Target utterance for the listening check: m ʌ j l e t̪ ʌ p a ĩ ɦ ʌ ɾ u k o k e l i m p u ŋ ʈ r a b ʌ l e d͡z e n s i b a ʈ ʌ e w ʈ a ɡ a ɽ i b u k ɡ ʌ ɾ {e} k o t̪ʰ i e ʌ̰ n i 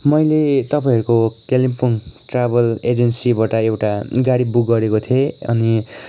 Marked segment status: correct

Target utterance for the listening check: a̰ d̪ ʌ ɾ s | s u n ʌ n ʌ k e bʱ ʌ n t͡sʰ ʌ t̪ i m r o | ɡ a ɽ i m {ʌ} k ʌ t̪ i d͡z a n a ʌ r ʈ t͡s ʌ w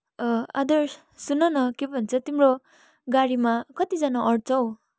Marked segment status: incorrect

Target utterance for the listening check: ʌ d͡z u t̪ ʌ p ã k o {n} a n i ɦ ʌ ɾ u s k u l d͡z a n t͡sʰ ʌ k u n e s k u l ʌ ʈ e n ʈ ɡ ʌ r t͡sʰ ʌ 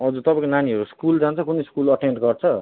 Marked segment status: correct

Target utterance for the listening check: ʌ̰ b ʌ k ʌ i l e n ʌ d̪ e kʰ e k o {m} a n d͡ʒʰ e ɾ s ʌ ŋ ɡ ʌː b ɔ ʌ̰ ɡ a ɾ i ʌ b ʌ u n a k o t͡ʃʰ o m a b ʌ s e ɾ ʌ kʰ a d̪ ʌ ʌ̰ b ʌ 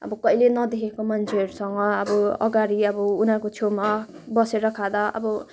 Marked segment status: correct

